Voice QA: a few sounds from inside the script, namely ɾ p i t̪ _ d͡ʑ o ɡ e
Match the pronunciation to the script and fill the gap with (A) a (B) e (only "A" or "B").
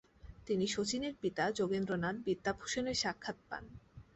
A